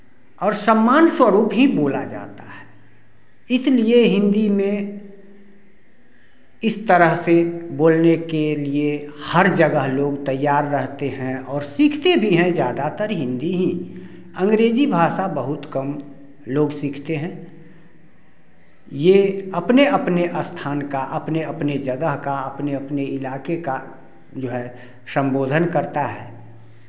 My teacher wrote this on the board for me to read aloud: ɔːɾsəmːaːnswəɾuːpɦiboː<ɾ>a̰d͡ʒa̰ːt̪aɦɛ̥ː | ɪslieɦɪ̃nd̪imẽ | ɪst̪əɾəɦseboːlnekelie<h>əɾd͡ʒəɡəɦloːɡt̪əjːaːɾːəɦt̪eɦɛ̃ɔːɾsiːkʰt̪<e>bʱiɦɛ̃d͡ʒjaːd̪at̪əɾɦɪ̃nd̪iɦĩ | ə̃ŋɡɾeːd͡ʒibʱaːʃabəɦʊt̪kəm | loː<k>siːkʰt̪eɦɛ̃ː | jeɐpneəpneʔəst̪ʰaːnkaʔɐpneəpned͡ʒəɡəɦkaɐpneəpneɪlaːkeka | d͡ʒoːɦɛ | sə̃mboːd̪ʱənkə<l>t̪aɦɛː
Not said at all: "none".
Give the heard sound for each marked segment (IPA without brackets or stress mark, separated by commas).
l, h, e, ɡ, ɾ